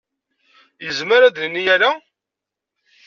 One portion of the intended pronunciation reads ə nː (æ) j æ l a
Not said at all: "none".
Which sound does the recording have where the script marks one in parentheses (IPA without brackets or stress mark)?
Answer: i